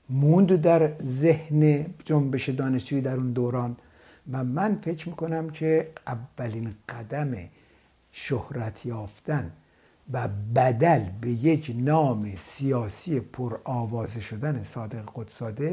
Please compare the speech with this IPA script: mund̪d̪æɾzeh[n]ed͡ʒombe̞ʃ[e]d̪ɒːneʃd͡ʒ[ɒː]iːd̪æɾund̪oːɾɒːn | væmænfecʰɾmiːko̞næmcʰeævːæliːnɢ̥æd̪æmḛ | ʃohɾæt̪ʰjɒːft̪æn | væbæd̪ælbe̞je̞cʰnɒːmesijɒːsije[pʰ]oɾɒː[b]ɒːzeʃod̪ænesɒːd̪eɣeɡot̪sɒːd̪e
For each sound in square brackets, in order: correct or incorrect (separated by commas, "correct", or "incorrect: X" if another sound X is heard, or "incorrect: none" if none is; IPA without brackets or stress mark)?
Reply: correct, correct, incorrect: uː, correct, incorrect: v